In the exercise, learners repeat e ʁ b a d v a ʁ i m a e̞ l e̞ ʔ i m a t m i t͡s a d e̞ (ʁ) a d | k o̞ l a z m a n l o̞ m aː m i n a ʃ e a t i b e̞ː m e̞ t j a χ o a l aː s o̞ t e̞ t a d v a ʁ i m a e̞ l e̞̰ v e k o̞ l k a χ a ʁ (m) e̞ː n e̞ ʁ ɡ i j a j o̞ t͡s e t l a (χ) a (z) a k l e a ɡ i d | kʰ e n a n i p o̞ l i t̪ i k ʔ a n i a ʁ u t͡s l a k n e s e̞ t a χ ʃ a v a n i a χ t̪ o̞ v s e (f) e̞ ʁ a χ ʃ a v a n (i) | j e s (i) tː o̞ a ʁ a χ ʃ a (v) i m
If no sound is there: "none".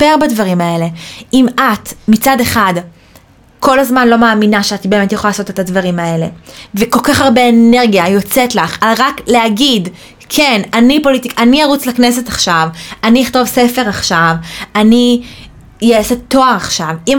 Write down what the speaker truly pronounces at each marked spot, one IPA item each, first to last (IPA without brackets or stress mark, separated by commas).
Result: χ, b, χ, ʁ, f, i, e, v